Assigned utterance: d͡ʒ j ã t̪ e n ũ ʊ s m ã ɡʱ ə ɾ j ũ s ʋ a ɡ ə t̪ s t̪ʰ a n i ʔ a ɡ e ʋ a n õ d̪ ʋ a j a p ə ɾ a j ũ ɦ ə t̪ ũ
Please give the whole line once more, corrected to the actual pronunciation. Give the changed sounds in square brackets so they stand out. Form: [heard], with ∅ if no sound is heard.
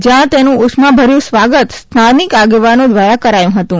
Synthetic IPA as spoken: d͡ʒ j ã t̪ e n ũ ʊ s m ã [bʱ] ə ɾ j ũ s ʋ a ɡ ə t̪ s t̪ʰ a n i [k] a ɡ e ʋ a n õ d̪ ʋ a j a [k] ə ɾ a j ũ ɦ ə t̪ ũ